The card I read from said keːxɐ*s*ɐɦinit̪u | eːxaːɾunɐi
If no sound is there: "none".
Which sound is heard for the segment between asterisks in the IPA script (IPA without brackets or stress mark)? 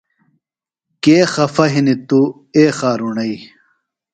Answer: f